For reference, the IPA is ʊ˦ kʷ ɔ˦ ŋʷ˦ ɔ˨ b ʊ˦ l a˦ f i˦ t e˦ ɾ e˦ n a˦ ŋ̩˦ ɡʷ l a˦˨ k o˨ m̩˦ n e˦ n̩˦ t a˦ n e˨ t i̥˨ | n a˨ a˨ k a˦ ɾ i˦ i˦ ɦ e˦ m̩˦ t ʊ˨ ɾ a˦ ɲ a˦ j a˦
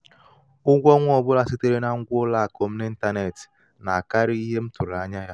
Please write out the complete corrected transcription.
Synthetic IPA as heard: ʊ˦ ɡʷ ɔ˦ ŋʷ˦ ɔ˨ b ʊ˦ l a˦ s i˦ t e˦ ɾ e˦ n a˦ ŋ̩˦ ɡʷ l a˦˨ k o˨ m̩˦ n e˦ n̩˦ t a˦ n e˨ t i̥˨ | n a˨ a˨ k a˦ ɾ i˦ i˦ ɦ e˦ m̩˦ t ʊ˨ ɾ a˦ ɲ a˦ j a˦